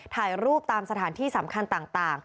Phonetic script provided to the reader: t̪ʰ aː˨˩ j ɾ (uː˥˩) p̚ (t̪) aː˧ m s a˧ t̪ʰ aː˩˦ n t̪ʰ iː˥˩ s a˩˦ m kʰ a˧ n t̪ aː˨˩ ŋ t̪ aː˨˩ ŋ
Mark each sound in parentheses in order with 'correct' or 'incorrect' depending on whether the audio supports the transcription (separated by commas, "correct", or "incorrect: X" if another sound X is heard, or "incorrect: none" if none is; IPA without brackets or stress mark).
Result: correct, correct